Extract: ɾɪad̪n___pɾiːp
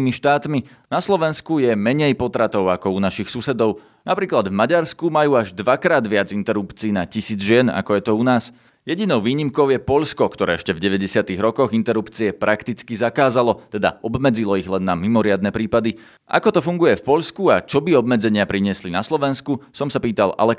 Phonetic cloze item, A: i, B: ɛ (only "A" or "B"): B